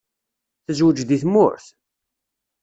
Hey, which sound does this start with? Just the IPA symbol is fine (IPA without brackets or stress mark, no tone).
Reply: θ